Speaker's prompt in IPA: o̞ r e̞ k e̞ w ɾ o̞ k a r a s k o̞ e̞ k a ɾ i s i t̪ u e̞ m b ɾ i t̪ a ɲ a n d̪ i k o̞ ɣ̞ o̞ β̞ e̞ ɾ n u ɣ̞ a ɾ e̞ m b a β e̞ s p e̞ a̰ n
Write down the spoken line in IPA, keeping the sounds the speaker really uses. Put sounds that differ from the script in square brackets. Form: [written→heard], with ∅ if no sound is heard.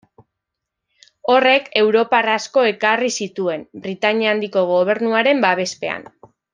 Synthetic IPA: o̞ r e̞ k e̞ w ɾ o̞ [k→p] a r a s k o̞ e̞ k a [ɾ→r] i s i t̪ u e̞ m b ɾ i t̪ a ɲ a n d̪ i k o̞ ɣ̞ o̞ β̞ e̞ ɾ n u [ɣ̞→∅] a ɾ e̞ m b a β e̞ s p e̞ a̰ n